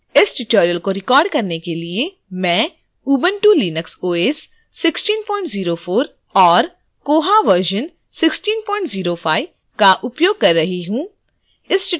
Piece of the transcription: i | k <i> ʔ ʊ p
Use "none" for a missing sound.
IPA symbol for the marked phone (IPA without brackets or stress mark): a